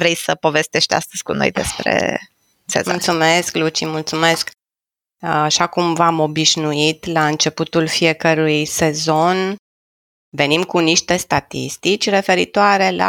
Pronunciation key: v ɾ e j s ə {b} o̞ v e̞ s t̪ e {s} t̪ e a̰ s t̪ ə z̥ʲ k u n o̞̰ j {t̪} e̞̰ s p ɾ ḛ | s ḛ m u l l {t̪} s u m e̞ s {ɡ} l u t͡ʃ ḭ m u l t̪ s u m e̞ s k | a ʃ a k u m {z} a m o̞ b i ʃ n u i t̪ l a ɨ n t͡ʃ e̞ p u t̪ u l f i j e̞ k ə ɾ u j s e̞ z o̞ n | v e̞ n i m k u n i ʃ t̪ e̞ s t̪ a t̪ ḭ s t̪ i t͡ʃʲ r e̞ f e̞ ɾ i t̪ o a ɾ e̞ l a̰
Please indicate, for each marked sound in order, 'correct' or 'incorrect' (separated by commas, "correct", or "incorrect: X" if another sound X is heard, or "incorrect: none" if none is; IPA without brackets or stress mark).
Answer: incorrect: p, incorrect: ʃ, incorrect: d̪, correct, incorrect: k, incorrect: v